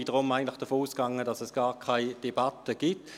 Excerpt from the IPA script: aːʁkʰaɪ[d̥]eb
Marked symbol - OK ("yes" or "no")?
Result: yes